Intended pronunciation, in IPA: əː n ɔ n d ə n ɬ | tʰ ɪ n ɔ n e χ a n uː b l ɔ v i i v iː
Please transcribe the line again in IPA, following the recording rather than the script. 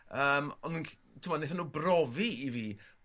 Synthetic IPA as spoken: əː m ɔ n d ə n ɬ | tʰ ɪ m ɔ n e θ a n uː b r ɔ v i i v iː